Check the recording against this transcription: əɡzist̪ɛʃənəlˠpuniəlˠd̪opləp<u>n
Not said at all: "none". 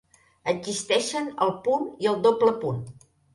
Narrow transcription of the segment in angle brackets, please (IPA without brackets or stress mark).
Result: u